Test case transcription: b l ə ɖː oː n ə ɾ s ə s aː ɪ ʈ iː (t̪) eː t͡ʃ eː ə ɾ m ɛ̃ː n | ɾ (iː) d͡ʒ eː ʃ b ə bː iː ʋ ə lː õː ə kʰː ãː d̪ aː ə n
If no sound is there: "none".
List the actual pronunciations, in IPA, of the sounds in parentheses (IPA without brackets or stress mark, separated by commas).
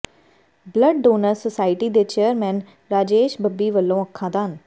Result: d̪, aː